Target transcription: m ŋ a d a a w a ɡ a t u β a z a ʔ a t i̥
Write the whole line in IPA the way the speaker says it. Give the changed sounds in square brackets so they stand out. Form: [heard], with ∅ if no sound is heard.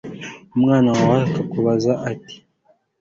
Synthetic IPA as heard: m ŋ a [n] a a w a [k] a [k] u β a z a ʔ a t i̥